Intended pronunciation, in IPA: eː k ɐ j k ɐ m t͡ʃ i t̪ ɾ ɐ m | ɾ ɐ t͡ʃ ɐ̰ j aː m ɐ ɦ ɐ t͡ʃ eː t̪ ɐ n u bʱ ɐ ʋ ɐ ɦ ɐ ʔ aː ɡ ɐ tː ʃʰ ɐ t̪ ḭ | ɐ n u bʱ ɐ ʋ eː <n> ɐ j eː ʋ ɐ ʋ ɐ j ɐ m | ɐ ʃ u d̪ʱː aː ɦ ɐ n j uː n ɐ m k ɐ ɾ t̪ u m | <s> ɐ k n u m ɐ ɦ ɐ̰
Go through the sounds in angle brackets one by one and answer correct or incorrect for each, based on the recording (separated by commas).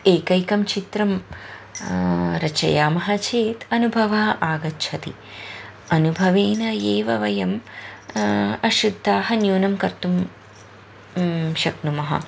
correct, incorrect